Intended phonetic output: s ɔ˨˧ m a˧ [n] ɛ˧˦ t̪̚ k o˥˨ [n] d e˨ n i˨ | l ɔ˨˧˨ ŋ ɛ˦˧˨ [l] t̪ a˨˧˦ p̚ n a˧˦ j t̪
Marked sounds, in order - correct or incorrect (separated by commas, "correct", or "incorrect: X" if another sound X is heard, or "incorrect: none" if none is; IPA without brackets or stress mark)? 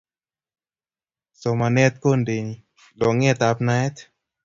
correct, correct, incorrect: none